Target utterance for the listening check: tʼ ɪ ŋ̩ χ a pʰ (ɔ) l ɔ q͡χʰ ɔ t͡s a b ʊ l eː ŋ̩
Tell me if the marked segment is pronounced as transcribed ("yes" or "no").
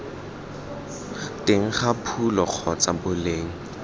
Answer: no